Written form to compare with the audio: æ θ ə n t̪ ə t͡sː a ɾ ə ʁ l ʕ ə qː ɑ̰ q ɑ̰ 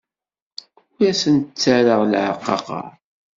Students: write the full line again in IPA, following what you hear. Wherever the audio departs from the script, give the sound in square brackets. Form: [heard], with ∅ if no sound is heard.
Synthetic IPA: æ [s] ə n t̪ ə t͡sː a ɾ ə ʁ l ʕ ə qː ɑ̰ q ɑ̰